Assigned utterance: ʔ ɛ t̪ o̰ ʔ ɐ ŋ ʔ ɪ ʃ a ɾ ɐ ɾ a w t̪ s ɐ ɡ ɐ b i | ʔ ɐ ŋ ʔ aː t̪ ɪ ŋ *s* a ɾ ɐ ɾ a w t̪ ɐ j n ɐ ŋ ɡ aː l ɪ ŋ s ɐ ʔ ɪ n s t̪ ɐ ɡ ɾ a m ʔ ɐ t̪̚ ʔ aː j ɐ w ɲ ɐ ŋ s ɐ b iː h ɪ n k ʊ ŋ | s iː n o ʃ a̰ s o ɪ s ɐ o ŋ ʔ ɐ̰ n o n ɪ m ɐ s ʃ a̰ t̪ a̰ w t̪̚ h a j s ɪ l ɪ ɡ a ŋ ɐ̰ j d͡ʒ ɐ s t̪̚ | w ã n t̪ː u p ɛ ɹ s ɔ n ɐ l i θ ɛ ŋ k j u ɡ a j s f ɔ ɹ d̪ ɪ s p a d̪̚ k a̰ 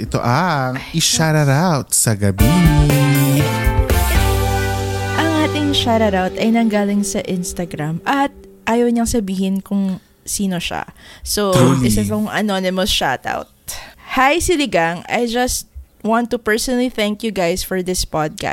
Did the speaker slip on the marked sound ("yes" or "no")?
yes